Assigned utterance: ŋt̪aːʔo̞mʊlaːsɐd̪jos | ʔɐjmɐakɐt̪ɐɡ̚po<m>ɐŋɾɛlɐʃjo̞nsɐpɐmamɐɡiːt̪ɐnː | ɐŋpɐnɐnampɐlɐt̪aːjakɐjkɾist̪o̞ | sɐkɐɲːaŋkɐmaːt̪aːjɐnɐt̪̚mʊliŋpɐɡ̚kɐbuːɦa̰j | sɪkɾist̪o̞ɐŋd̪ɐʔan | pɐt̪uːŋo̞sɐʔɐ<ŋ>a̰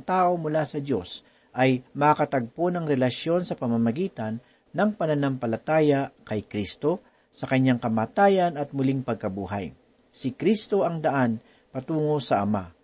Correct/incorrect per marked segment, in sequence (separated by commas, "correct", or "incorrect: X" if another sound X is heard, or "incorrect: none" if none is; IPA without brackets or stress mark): incorrect: n, incorrect: m